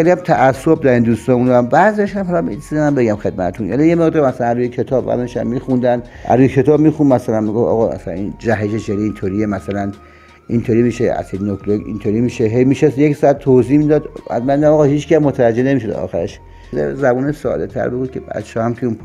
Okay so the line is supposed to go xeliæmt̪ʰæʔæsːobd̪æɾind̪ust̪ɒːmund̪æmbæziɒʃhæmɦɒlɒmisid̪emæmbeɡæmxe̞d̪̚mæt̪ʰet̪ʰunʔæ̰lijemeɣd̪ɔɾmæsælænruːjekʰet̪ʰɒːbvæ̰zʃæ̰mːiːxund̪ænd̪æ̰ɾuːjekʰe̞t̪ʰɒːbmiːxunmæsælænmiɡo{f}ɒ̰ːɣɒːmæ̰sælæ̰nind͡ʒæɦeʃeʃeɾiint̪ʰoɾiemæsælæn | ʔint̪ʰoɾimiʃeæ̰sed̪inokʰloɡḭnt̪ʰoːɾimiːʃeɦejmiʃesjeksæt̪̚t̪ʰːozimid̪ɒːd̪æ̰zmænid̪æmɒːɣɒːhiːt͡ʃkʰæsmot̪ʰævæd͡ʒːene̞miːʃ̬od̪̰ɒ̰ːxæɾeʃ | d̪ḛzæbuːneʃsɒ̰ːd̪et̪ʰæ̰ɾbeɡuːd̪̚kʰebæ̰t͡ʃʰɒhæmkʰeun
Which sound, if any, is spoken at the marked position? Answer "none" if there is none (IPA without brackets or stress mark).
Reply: f